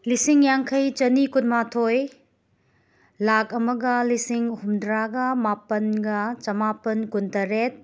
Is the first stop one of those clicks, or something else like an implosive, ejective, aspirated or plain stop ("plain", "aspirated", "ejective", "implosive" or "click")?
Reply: aspirated